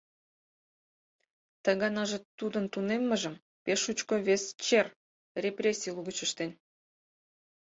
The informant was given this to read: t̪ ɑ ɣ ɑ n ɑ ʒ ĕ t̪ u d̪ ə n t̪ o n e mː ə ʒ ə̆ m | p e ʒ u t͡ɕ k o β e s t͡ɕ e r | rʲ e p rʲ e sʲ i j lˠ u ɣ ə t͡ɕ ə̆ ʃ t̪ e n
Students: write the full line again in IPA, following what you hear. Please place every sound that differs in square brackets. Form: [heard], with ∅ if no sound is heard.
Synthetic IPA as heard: t̪ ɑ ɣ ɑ n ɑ ʒ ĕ t̪ u d̪ ə n t̪ [u] n e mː ə ʒ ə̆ m | p e [ʃ] u t͡ɕ k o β e s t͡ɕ e r | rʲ e p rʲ e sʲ i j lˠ u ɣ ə t͡ɕ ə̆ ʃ t̪ e n